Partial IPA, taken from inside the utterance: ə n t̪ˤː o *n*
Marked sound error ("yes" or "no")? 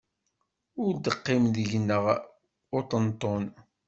no